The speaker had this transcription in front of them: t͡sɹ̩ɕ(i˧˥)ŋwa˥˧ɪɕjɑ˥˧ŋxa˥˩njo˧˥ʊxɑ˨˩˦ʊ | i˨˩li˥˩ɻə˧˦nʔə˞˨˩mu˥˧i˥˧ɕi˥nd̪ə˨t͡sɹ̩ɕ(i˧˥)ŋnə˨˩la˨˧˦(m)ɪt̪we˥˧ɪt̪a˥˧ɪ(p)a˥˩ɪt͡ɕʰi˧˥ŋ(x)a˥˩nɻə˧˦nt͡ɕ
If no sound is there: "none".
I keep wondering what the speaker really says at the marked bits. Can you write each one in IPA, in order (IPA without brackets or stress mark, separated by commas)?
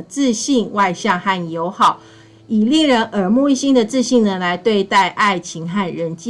i˥˧, i˥˩, none, ʔ, x